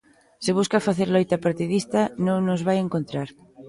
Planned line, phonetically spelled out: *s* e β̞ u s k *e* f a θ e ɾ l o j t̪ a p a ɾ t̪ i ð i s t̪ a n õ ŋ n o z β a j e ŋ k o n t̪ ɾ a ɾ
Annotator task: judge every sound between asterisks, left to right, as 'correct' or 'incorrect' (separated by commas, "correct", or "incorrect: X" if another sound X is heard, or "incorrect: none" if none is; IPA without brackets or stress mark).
correct, incorrect: a